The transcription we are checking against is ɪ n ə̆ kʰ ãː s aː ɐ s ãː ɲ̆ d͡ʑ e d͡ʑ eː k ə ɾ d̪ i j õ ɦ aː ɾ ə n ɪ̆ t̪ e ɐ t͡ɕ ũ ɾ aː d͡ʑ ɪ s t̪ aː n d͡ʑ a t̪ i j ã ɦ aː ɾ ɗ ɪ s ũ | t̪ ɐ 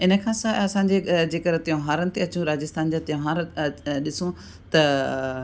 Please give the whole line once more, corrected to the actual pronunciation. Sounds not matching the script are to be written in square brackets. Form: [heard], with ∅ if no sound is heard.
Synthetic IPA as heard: ɪ n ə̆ kʰ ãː s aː ɐ s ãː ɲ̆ d͡ʑ e d͡ʑ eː k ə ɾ [t̪] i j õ ɦ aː ɾ ə n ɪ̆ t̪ e ɐ t͡ɕ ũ ɾ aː d͡ʑ ɪ s t̪ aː n d͡ʑ a t̪ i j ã ɦ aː ɾ ɗ ɪ s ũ | t̪ ɐ